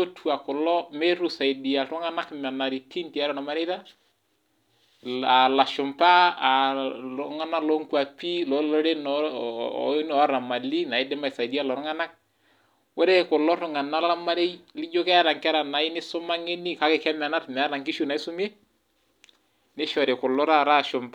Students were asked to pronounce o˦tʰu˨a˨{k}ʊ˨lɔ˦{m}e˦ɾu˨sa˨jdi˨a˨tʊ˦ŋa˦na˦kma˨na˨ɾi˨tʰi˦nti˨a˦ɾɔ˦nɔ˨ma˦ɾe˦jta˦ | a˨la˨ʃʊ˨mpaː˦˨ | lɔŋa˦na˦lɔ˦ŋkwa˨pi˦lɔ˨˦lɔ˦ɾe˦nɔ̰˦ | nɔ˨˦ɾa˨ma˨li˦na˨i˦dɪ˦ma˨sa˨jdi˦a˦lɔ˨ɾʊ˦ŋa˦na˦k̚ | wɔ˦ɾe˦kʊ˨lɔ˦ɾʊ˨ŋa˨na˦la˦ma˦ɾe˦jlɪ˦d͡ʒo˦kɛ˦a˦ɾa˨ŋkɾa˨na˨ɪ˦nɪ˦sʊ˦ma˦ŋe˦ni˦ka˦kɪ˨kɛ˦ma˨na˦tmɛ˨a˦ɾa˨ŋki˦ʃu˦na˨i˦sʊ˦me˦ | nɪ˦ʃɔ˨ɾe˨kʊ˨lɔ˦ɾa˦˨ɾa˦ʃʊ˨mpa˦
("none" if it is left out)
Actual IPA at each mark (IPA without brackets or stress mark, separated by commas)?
k, m